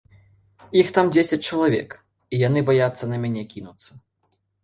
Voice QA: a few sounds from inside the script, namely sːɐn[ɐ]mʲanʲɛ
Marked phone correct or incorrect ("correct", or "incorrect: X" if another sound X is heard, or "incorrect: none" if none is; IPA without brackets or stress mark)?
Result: correct